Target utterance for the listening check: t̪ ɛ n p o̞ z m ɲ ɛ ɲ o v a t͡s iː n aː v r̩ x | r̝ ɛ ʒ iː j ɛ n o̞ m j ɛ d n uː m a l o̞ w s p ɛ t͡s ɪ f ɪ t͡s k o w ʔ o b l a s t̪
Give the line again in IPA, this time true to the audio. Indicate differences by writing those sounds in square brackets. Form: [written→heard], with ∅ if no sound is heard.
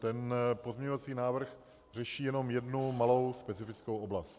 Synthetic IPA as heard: t̪ ɛ n p o̞ z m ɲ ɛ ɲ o v a t͡s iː n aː v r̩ x | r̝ ɛ [ʒ→ʃ] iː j ɛ n o̞ m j ɛ d n [uː→u] m a l o̞ w s p ɛ t͡s ɪ f ɪ t͡s k o w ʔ o b l a s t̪